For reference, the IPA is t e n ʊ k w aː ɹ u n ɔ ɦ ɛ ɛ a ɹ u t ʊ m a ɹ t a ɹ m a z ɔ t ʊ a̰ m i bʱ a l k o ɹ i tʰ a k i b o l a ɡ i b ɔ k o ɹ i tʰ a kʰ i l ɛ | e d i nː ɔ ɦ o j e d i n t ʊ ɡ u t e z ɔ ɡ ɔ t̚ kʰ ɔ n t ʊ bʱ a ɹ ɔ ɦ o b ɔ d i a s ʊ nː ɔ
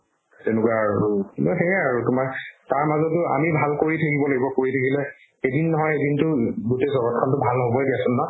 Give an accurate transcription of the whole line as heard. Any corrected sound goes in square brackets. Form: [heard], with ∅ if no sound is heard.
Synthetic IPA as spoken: t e n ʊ k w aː ɹ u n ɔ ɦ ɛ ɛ a ɹ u t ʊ m a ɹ t a ɹ m a z ɔ t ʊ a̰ m i bʱ a l k o ɹ i tʰ a k i b [ɔ] l a ɡ i b ɔ k o ɹ i tʰ a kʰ i l ɛ | e d i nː ɔ ɦ [ɔ] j e d i n t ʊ ɡ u t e z ɔ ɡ ɔ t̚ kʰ ɔ n t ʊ bʱ a [l] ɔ ɦ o b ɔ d i a s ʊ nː ɔ